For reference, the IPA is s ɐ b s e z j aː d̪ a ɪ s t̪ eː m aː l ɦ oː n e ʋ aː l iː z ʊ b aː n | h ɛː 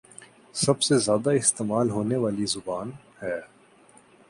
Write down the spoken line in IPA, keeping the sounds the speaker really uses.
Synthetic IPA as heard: s ɐ b s e z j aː d̪ a ɪ s t̪ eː m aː l ɦ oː n e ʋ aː l i z ʊ b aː n | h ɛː